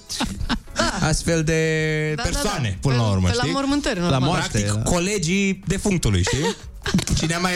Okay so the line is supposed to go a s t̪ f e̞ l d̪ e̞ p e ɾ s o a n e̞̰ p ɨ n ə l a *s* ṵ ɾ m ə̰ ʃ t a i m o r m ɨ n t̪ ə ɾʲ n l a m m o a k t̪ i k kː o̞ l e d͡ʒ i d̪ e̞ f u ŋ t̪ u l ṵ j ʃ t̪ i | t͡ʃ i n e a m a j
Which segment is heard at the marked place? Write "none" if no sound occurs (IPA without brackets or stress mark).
none